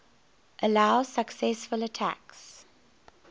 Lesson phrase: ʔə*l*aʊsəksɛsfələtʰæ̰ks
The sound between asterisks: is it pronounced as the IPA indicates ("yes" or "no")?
yes